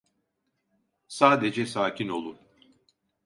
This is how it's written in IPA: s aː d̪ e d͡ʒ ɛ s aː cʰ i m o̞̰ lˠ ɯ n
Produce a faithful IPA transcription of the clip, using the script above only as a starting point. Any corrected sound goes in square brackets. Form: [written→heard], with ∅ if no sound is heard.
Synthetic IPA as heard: s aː d̪ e d͡ʒ ɛ s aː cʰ i [m→n] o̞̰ lˠ [ɯ→u] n